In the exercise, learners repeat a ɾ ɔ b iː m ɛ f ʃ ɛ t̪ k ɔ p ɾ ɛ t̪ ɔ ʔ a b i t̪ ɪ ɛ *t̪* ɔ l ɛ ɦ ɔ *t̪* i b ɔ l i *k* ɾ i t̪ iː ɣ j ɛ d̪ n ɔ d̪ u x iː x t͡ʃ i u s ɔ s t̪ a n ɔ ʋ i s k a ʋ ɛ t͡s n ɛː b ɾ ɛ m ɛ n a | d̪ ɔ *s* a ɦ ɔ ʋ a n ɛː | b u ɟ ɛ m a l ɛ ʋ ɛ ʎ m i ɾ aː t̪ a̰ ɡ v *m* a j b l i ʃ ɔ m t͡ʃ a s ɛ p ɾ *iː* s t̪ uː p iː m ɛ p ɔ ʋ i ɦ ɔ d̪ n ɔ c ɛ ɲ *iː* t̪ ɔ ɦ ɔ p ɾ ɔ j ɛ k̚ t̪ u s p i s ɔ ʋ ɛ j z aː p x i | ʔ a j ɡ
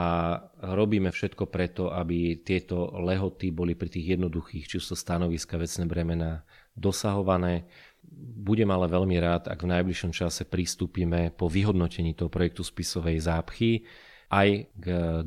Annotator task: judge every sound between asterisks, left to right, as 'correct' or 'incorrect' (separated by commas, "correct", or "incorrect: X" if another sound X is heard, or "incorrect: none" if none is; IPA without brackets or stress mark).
correct, correct, incorrect: p, correct, incorrect: n, incorrect: i, correct